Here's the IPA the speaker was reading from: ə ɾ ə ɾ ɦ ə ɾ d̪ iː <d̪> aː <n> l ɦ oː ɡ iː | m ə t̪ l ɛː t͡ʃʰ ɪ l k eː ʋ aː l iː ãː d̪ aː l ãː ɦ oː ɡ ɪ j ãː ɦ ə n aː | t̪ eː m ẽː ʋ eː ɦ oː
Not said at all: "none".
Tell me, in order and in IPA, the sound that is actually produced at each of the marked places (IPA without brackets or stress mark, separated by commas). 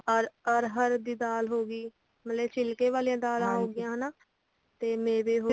d̪, none